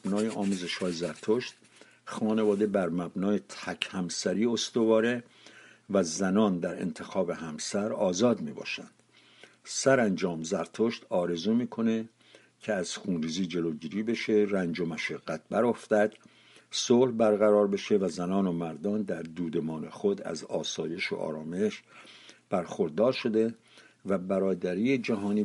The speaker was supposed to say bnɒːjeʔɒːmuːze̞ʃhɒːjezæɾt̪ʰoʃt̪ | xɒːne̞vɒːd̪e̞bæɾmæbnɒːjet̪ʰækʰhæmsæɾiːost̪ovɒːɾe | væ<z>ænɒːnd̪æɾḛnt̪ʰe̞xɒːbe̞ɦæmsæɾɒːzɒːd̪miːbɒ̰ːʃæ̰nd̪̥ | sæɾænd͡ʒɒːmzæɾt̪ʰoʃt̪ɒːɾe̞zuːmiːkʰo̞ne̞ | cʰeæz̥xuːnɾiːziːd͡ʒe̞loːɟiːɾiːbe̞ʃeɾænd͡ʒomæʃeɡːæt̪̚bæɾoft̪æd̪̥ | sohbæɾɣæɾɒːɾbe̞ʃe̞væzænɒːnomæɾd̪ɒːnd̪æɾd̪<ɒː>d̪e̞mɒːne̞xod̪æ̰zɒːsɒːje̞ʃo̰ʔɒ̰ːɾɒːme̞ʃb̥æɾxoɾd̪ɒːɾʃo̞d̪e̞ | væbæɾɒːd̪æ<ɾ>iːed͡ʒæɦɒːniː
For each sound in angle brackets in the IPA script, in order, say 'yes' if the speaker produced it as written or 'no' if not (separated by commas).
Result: yes, no, yes